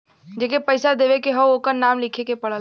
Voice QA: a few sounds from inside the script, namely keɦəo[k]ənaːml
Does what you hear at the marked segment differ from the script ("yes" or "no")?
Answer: no